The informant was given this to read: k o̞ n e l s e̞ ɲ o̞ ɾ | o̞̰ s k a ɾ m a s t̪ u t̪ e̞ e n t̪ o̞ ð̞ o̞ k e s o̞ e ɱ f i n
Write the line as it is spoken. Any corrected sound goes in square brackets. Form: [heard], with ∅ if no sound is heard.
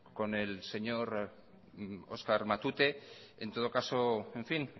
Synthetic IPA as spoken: k o̞ n e l s e̞ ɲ o̞ ɾ | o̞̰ s k a ɾ m a [∅] t̪ u t̪ e̞ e n t̪ o̞ ð̞ o̞ k [a] s o̞ e ɱ f i n